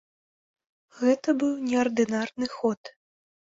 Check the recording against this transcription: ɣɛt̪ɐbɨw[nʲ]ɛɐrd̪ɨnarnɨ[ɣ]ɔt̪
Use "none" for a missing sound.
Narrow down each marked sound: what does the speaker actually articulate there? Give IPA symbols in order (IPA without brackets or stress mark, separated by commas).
nʲ, x